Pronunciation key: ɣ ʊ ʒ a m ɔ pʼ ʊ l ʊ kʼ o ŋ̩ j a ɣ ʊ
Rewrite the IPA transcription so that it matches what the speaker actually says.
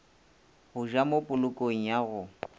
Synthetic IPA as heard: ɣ ʊ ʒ a m o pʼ ʊ l ʊ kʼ o ŋ̩ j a ɣ ʊ